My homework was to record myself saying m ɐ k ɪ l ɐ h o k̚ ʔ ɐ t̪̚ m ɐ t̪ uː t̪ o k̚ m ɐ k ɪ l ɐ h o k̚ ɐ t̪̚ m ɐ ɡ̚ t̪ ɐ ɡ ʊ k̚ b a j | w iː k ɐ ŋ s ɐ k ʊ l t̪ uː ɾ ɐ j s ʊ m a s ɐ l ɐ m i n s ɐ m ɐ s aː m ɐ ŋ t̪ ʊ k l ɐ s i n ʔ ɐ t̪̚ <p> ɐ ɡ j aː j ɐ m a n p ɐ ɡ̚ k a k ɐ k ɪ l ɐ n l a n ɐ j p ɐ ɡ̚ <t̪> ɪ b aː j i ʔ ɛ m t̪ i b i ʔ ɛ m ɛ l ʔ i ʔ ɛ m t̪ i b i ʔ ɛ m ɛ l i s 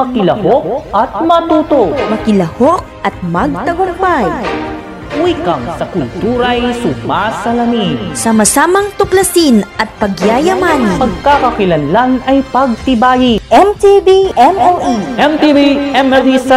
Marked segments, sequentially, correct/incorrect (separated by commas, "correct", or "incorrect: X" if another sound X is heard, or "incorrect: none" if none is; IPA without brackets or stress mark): correct, correct